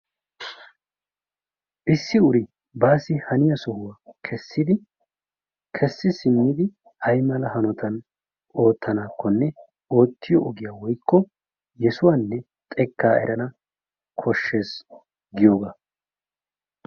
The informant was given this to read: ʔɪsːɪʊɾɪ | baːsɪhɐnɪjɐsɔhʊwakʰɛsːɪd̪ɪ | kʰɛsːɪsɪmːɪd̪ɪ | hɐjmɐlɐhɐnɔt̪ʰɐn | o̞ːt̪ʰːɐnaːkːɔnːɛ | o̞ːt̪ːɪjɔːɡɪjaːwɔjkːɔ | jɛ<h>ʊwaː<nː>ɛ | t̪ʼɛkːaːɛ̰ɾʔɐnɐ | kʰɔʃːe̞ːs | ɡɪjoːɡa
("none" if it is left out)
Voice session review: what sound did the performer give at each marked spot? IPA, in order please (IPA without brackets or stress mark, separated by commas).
s, nː